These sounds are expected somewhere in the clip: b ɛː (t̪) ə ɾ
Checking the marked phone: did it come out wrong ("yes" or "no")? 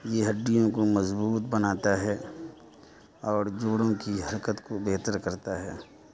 no